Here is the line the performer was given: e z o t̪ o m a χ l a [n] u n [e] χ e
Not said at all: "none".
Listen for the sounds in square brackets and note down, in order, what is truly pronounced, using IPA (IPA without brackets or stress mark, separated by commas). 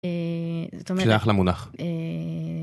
m, a